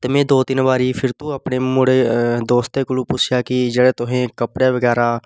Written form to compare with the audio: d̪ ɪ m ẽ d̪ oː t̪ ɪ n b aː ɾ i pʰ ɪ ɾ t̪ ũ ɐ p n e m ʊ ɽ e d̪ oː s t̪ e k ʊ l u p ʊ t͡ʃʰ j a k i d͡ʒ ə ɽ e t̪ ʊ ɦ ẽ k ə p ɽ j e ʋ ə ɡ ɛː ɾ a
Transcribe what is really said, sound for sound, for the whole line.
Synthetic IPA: t̪ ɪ m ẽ d̪ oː t̪ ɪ n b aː ɾ i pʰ ɪ ɾ t̪ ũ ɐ p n e m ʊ ɽ e d̪ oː s t̪ e k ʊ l u p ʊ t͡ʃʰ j a k i d͡ʒ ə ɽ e t̪ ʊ ɦ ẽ k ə p ɽ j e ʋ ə ɡ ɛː ɾ a

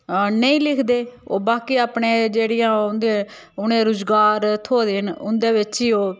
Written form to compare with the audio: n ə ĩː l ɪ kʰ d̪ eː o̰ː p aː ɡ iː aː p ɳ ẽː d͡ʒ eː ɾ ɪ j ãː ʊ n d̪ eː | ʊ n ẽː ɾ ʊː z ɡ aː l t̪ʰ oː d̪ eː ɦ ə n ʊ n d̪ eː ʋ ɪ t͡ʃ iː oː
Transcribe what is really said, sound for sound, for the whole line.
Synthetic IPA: n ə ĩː l ɪ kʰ d̪ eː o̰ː b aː k iː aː p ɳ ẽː d͡ʒ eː ɽ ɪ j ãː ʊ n d̪ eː | ʊ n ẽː ɾ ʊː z ɡ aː ɾ t̪ʰ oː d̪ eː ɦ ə n ʊ n d̪ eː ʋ ɪ t͡ʃ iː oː

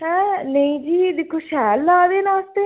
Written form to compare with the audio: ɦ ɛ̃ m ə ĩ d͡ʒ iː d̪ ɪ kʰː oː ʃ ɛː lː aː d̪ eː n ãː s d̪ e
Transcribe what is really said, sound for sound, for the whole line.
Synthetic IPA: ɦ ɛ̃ n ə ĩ d͡ʒ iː d̪ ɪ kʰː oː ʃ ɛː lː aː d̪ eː n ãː s t̪ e

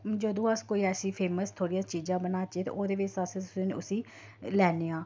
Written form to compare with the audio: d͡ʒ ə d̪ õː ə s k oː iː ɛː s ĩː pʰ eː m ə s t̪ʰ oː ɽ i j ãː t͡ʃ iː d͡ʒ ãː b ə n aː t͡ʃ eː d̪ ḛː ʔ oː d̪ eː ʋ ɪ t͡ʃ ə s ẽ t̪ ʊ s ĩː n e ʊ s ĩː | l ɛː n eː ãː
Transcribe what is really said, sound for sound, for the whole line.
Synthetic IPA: d͡ʒ ə d̪ õː ə s k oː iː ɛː s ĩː pʰ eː m ə s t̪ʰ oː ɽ i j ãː t͡ʃ iː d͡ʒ ãː b ə n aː t͡ʃ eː t̪ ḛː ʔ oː d̪ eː ʋ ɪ t͡ʃ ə s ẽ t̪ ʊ s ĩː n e ʊ s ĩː | l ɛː n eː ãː

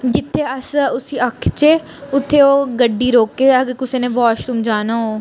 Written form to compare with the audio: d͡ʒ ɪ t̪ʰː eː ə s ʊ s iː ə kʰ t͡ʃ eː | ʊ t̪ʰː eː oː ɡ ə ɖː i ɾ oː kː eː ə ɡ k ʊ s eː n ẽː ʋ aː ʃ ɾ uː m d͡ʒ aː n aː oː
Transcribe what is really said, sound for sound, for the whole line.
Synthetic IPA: d͡ʒ ɪ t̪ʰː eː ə s ʊ s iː ə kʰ t͡ʃ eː | ʊ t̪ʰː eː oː ɡ ə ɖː iː ɾ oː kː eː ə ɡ k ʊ s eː n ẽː ʋ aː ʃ ɾ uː m d͡ʒ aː n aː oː

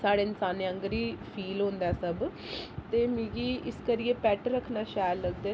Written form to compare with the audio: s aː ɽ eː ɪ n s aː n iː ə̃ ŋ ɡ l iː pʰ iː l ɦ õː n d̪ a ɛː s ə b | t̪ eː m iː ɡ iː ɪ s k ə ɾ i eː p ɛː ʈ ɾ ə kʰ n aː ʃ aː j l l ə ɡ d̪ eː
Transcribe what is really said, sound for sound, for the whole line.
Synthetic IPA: s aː ɽ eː ɪ n s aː n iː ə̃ ŋ ɡ ɾ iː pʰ iː l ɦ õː n d̪ a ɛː s ə b | t̪ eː m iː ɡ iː ɪ s k ə ɾ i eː p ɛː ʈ ɾ ə kʰ n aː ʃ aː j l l ə ɡ d̪ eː

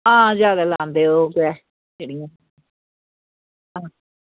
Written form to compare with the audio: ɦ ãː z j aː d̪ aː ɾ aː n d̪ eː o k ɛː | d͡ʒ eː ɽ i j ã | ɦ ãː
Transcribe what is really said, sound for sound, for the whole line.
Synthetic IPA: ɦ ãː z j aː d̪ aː l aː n d̪ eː o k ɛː | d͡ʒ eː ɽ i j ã | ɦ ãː

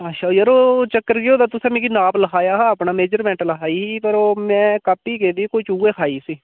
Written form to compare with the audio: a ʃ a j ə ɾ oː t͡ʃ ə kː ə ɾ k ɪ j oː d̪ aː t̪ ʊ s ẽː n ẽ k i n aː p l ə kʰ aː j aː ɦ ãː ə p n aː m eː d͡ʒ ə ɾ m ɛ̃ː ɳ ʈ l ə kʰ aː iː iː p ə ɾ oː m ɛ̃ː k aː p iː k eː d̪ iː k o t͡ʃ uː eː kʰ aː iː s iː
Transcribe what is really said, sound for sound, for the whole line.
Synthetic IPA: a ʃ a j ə ɾ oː t͡ʃ ə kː ə ɾ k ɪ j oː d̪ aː t̪ ʊ s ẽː m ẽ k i n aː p l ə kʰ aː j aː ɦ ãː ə p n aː m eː d͡ʒ ə ɾ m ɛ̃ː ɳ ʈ l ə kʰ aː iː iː p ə ɾ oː m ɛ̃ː k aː p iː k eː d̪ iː k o t͡ʃ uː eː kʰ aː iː s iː

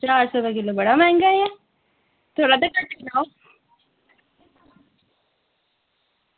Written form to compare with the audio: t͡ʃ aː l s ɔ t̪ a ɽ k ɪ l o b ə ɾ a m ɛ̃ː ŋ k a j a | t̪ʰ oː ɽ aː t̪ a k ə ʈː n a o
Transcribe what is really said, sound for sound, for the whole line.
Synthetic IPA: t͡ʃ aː ɾ s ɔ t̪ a k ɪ l o b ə ɽ a m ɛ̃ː ŋ ɡ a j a | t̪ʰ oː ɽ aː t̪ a k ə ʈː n a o

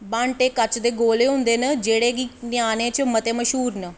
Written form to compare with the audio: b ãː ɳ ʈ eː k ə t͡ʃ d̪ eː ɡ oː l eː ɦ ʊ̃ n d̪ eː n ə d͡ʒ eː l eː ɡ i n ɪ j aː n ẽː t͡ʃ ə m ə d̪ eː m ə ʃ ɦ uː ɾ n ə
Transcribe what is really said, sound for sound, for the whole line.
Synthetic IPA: b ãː ɳ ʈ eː k ə t͡ʃ d̪ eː ɡ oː l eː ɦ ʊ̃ n d̪ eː n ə d͡ʒ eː ɽ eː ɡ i n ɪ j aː n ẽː t͡ʃ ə m ə t̪ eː m ə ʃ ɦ uː ɾ n ə

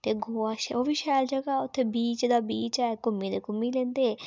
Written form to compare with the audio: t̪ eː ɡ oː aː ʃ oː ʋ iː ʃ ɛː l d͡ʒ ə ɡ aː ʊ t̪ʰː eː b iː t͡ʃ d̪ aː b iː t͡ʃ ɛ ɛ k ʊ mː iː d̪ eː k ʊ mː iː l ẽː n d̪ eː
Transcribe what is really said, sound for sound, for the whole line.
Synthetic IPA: t̪ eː ɡ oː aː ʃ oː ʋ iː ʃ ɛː l d͡ʒ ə ɡ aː ʊ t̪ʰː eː b iː t͡ʃ d̪ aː b iː t͡ʃ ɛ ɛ k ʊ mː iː d̪ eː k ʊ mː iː l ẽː n d̪ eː

